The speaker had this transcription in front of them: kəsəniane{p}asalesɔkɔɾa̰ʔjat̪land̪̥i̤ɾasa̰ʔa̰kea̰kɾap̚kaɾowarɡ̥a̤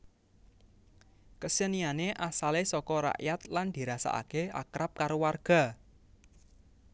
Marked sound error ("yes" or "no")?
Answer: yes